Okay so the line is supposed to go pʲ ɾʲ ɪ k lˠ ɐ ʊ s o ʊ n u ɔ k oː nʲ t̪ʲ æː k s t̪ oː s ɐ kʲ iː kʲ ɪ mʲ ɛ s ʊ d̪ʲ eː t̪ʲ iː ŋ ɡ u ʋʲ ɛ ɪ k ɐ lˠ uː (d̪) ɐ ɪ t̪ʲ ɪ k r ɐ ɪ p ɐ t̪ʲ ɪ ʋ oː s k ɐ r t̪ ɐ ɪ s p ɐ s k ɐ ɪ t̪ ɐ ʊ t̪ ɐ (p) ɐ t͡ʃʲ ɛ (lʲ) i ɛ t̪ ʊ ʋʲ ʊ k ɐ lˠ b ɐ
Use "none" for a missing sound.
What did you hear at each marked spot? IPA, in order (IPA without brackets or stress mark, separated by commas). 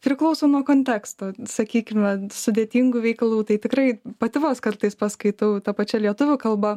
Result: t̪, p, lʲ